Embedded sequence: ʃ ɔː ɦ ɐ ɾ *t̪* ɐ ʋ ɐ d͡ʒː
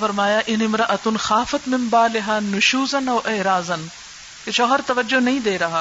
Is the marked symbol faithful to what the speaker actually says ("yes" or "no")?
yes